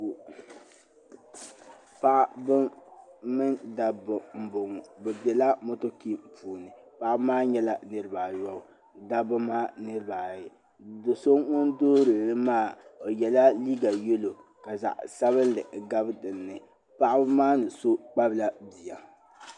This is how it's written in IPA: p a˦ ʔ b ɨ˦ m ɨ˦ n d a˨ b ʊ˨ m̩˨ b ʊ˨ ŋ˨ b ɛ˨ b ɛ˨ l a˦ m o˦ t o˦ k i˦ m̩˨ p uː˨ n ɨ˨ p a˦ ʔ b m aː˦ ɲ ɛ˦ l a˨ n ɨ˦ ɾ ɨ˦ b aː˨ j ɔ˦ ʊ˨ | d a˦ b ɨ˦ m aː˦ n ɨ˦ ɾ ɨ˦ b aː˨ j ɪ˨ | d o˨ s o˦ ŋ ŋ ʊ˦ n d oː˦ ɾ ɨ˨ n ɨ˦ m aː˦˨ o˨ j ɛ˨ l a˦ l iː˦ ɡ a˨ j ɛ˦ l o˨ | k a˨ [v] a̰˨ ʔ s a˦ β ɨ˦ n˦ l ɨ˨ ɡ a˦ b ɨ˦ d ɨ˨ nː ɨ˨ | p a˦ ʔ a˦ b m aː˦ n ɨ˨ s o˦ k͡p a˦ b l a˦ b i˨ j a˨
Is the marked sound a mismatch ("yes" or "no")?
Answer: yes